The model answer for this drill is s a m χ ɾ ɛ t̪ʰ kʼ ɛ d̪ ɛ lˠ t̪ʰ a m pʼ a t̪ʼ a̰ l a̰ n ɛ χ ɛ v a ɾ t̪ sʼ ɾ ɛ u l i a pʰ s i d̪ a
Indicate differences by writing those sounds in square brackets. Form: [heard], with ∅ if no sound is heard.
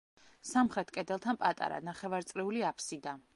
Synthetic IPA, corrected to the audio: s a m χ ɾ ɛ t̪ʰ kʼ ɛ d̪ ɛ lˠ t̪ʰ a [n] pʼ a t̪ʼ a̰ [ɾ] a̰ n [a] χ ɛ v a ɾ t̪ sʼ ɾ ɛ u l i a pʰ s i d̪ a